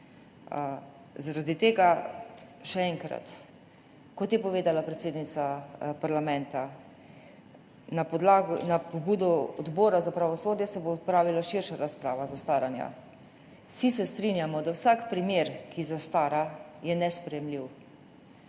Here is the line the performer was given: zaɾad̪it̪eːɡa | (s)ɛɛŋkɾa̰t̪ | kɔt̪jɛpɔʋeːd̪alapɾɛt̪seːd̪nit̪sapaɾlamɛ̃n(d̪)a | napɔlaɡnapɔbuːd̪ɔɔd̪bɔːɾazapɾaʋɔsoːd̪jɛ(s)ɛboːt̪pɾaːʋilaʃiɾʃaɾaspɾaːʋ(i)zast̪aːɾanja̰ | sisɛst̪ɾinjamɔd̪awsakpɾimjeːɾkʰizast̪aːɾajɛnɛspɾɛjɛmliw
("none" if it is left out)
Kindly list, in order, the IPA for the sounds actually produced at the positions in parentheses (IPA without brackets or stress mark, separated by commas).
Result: ʃ, t̪, s, a